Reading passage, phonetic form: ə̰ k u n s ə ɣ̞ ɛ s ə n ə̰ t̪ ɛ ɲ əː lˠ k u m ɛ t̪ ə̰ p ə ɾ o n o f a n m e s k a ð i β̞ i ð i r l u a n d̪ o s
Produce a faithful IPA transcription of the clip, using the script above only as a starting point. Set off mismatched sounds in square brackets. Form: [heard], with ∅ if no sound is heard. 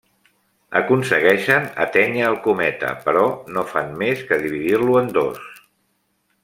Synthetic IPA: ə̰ k u n s ə ɣ̞ ɛ [ʃ] ə n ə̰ t̪ ɛ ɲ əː lˠ k u m ɛ t̪ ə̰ p ə ɾ [ɔ] n o f a n m e s k [ə] ð i β̞ i ð i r l u [ə] n d̪ o s

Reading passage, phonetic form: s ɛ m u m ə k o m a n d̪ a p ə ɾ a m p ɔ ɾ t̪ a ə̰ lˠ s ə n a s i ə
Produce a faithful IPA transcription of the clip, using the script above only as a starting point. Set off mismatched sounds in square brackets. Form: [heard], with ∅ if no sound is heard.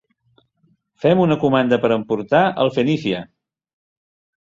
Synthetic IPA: [f] ɛ m u [n] ə k [u] m a n d̪ [ə] p ə ɾ [ə] m p [u] ɾ t̪ a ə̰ lˠ [f] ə n [i] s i ə

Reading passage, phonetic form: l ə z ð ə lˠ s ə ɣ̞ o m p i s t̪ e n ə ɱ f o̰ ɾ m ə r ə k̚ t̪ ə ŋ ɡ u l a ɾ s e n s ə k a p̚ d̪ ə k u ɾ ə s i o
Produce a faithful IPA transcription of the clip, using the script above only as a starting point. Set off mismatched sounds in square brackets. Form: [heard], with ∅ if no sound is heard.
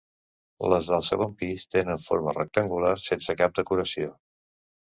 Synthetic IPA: l ə z ð ə lˠ s ə ɣ̞ o m p i s t̪ e n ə ɱ f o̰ ɾ m ə r ə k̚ t̪ ə ŋ ɡ u l a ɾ s e n s ə k a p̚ d̪ ə k u ɾ ə s i o

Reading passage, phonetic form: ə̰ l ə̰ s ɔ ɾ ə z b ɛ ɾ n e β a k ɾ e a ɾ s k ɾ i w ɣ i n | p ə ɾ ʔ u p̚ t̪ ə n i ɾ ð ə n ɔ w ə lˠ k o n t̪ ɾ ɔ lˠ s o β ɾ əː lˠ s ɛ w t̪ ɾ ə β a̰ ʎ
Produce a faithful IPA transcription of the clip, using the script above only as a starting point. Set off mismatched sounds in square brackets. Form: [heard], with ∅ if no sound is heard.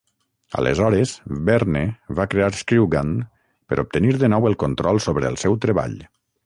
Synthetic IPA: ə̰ l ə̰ [z] ɔ ɾ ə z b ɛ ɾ n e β a k ɾ e a ɾ s k ɾ i w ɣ [a] n | p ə ɾ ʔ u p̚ t̪ ə n i ɾ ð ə n ɔ w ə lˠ k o n t̪ ɾ ɔ lˠ s o β ɾ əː lˠ s ɛ w t̪ ɾ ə β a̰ ʎ

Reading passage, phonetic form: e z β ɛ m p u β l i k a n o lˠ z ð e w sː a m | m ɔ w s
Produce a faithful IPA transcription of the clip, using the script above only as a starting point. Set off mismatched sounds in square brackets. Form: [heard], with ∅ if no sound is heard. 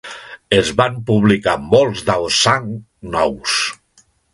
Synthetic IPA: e z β [a] m p u β l i k a [m] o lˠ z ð [a] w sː a [ŋ] | [n] ɔ w s

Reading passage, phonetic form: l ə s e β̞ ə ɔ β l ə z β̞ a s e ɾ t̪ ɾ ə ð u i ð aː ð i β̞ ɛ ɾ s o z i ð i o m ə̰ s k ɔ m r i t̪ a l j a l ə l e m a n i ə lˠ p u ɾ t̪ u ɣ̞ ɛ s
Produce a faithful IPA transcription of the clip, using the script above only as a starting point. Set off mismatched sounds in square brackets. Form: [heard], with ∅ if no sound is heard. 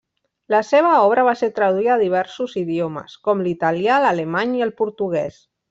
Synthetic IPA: l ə s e β̞ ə ɔ β [ɾ] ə [∅] β̞ a s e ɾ t̪ ɾ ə ð u i ð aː ð i β̞ ɛ ɾ s [u] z i ð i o m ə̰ s k ɔ m [l] i t̪ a l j a l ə l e m a [ɲ] i ə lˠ p u ɾ t̪ u ɣ̞ ɛ s

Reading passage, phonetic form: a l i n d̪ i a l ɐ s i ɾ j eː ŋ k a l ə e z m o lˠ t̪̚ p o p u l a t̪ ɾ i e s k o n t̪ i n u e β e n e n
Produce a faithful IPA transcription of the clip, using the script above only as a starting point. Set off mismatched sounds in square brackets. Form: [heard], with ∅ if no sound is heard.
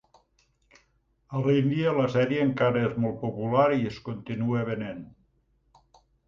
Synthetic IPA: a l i n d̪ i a l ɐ s [ɛ] ɾ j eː ŋ k a [ɾ] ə e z m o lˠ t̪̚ p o p u l a [∅] ɾ i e s k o n t̪ i n u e β e n e n

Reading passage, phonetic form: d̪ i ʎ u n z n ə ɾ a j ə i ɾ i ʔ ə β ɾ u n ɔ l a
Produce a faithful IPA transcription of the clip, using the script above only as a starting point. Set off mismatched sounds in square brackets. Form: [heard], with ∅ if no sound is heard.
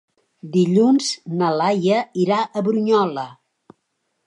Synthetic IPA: d̪ i ʎ u n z n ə [l] a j ə i ɾ [a] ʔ ə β ɾ u [ɲ] ɔ l [ə]

